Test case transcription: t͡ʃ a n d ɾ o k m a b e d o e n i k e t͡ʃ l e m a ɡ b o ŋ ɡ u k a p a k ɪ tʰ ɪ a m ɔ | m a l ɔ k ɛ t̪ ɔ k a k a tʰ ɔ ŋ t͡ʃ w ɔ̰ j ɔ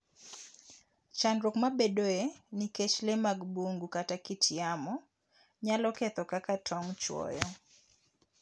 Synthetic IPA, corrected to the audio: t͡ʃ a n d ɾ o k m a b e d o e n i k e t͡ʃ l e m a ɡ b o ŋ ɡ u k a t a k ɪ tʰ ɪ a m ɔ | ɲ a l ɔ k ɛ t̪ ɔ k a k a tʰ ɔ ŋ t͡ʃ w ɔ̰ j ɔ